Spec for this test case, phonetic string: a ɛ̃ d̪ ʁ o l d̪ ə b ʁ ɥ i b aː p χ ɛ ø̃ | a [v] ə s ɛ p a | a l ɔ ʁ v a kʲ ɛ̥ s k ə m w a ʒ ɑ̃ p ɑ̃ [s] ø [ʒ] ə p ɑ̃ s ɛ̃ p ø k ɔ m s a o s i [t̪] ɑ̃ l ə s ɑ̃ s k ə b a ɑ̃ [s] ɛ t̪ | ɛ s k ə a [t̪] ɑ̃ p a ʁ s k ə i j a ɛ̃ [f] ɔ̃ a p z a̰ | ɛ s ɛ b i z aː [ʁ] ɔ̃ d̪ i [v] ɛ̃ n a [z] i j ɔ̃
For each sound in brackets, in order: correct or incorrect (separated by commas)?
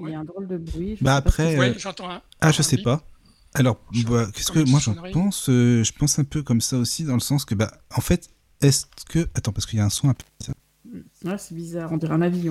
incorrect, correct, correct, incorrect, incorrect, correct, incorrect, correct, incorrect, incorrect